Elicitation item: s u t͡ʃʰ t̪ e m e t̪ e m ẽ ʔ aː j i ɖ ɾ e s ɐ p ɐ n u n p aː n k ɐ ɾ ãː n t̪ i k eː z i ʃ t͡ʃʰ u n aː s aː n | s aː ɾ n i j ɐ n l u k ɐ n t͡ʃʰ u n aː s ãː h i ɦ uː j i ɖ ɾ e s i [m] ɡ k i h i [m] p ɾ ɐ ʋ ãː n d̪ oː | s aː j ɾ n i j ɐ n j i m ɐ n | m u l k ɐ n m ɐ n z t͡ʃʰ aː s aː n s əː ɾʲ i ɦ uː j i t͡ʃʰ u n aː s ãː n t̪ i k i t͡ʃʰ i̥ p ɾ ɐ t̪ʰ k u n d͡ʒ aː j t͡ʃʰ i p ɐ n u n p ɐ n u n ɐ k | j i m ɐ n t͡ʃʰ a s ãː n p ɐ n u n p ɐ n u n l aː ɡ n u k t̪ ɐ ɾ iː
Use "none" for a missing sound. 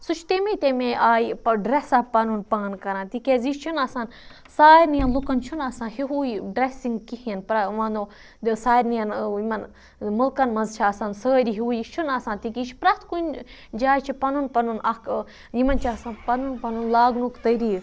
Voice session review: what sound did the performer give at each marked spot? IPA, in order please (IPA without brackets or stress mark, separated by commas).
ŋ, n